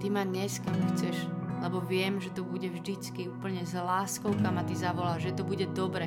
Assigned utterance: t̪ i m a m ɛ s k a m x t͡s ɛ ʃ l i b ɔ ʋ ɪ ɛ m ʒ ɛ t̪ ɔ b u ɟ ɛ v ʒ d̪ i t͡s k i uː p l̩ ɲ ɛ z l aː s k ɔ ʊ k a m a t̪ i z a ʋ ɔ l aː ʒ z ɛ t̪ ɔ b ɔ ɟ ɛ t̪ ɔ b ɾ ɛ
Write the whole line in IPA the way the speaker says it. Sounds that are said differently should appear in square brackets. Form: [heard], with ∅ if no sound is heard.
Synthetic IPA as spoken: t̪ i m a [ɲ] ɛ s k a m x t͡s ɛ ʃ l [ɛ] b ɔ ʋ ɪ ɛ m ʒ ɛ t̪ ɔ b u ɟ ɛ v ʒ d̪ i t͡s k i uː p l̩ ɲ ɛ z l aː s k ɔ ʊ k a m a t̪ i z a ʋ ɔ l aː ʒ [ʒ] ɛ t̪ ɔ b [u] ɟ ɛ [d̪] ɔ b ɾ ɛ